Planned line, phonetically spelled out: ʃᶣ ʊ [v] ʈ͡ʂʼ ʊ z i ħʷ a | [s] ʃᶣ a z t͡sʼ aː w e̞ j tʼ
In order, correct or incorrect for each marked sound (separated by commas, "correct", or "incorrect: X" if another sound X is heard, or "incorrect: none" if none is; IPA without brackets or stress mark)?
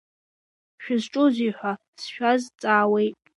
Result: incorrect: z, correct